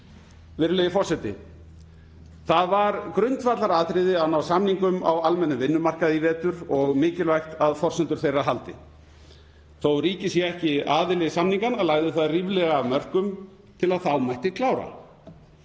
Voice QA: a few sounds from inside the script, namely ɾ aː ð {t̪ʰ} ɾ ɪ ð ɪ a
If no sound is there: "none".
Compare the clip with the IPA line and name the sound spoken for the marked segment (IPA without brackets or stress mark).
t̪